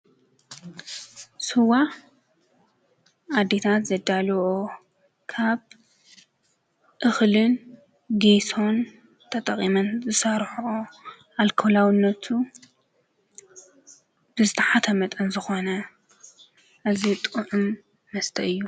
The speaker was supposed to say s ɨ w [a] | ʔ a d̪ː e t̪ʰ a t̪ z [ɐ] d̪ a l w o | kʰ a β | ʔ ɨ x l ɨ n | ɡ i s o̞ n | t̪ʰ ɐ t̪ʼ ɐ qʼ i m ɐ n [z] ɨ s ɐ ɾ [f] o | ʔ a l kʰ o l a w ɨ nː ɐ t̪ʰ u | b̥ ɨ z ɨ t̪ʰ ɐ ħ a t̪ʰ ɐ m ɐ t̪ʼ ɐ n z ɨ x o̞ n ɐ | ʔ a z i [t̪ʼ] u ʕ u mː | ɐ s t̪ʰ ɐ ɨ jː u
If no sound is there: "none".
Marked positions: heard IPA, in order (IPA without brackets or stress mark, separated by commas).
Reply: a, ɐ, z, ħ, t̪ʼ